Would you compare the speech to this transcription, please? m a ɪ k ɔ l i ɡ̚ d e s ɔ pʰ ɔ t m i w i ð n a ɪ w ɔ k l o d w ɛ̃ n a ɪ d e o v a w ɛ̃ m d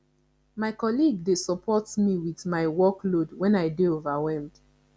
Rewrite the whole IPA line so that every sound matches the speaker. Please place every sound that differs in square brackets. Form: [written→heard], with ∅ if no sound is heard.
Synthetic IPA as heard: m a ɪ k ɔ l i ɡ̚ d e s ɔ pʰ ɔ t m i w i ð [n→m] a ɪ w ɔ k l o d w ɛ̃ n a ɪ d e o v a w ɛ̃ m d